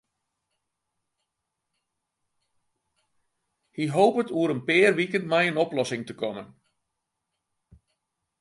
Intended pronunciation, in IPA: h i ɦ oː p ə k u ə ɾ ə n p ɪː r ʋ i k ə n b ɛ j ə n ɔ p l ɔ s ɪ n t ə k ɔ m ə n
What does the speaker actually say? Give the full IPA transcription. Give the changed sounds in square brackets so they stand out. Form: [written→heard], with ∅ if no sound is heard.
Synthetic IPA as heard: h i ɦ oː p ə [k→t] u ə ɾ ə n p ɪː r ʋ i k ə n [b→m] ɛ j ə n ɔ p l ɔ s ɪ [n→ŋ] t ə k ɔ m ə n